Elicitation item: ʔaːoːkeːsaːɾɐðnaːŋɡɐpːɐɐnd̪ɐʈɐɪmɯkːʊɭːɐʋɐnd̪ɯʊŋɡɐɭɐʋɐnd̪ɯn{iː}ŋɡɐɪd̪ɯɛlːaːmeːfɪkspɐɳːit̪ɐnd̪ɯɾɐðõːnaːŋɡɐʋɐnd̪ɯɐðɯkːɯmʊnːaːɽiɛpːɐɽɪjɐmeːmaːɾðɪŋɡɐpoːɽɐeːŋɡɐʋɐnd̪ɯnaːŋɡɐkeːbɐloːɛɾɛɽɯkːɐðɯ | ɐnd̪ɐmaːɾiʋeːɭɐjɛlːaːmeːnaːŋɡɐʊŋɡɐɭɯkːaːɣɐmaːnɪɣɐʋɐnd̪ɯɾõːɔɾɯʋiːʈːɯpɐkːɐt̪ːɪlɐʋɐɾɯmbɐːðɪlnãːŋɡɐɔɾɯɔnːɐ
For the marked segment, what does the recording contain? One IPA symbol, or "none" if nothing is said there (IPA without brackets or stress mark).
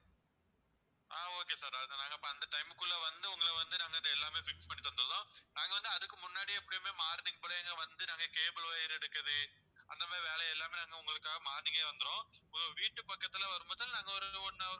aː